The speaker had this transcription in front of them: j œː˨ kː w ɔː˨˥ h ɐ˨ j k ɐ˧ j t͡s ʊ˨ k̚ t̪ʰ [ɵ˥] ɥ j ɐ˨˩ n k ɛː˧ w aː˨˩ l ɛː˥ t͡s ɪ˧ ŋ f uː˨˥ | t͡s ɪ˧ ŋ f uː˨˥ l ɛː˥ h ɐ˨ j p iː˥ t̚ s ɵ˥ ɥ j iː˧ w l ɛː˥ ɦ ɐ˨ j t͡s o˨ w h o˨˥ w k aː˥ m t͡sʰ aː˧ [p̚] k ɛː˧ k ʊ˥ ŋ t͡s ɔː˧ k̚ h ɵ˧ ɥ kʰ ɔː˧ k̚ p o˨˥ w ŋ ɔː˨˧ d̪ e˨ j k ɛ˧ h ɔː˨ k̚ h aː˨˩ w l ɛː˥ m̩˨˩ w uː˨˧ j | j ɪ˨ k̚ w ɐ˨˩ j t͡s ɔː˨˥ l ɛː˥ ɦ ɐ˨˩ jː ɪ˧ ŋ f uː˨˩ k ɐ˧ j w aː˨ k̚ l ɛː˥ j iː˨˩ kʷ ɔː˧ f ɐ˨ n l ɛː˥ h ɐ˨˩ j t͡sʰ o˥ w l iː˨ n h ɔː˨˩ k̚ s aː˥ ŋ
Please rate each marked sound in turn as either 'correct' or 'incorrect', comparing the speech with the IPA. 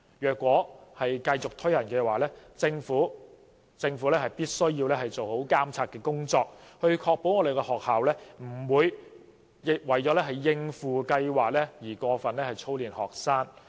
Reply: correct, incorrect

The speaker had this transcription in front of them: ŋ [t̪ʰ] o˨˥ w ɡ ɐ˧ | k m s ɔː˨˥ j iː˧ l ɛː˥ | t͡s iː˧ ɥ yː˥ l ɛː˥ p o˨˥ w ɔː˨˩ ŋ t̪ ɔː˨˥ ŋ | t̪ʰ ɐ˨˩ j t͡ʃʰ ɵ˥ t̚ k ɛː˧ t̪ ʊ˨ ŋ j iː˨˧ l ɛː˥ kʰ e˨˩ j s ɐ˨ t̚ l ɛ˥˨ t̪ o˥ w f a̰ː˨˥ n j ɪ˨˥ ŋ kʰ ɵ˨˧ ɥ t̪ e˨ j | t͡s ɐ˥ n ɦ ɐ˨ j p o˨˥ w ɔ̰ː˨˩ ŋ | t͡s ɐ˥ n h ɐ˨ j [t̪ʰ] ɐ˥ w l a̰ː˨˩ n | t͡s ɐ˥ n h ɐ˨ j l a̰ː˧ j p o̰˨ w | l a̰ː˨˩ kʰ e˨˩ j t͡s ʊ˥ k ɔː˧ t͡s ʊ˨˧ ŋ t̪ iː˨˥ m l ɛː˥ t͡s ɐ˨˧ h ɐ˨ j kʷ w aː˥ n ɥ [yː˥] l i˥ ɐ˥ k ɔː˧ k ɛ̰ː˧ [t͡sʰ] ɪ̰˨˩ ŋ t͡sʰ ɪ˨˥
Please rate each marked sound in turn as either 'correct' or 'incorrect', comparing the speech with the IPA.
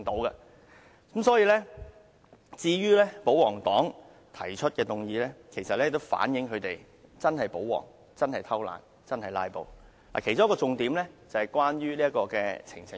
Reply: incorrect, correct, correct, correct

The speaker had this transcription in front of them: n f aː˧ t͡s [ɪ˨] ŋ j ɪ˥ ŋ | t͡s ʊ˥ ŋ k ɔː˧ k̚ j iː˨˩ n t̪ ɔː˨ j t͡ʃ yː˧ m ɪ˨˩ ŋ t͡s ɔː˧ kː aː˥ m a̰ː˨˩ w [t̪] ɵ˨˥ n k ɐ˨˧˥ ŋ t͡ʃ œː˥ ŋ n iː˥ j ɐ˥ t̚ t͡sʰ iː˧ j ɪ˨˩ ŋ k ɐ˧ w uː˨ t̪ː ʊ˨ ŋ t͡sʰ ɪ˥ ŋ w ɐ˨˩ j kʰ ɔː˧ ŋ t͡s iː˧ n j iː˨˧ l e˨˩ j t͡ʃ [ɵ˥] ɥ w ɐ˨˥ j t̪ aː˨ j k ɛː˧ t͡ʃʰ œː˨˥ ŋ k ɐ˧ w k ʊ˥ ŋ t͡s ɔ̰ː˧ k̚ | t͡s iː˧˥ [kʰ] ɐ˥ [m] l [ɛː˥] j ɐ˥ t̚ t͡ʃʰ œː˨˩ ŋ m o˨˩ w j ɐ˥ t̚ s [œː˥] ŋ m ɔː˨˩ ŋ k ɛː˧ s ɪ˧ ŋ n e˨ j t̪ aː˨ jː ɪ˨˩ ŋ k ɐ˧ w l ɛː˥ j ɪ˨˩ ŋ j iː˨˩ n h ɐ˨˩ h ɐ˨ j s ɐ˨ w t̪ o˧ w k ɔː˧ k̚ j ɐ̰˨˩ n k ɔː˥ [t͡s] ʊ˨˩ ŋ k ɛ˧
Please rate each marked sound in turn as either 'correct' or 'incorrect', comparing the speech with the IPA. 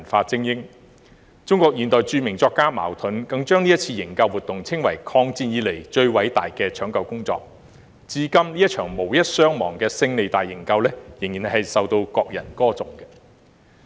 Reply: incorrect, incorrect, incorrect, incorrect, correct, incorrect, correct, correct

